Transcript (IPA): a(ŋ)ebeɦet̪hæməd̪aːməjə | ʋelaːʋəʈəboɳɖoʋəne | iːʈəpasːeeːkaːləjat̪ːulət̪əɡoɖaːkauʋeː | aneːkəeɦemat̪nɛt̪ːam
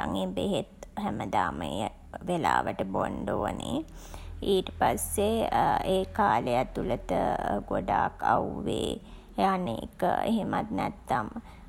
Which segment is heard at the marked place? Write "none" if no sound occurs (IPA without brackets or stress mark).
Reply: ŋ